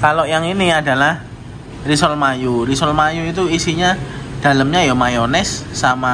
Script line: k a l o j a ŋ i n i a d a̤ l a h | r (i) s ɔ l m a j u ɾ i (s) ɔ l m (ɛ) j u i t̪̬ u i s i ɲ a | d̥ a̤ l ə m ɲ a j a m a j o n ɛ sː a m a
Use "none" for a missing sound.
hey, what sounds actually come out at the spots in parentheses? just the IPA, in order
i, s, a

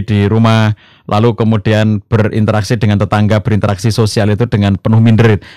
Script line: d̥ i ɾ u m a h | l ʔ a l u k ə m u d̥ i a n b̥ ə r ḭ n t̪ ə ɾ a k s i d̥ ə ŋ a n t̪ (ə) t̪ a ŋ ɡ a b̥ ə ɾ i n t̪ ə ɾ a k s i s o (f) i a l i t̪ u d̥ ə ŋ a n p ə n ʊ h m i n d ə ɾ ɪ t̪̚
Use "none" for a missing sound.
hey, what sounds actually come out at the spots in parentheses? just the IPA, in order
ə, s

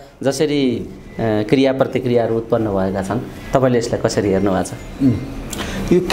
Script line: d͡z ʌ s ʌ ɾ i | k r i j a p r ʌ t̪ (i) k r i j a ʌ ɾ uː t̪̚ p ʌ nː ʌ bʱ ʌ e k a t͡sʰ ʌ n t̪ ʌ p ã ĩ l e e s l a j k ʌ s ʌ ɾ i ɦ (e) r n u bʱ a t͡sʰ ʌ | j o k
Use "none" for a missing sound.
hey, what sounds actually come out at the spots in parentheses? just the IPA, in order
i, e

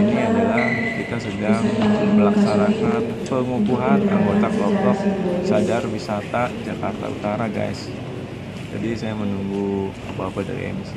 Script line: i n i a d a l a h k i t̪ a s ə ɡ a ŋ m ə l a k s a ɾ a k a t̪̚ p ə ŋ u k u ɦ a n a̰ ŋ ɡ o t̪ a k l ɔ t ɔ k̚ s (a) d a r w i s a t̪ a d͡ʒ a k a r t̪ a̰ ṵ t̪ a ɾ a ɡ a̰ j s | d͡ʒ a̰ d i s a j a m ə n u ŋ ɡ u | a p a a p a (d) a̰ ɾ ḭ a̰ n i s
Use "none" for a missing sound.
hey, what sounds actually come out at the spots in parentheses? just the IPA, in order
a, d

